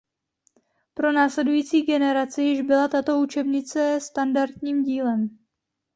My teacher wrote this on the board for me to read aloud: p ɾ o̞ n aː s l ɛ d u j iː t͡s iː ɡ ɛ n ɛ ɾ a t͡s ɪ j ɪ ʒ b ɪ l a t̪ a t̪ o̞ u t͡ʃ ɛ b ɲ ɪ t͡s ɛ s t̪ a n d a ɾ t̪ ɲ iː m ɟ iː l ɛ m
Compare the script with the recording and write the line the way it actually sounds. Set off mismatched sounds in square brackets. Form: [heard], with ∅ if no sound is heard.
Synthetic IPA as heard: p ɾ o̞ n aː s l ɛ d u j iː t͡s iː ɡ ɛ n ɛ ɾ a t͡s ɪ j ɪ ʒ b ɪ l a t̪ a t̪ o̞ u t͡ʃ ɛ b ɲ ɪ t͡s ɛ s t̪ a n d a ɾ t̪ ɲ iː m ɟ iː l ɛ m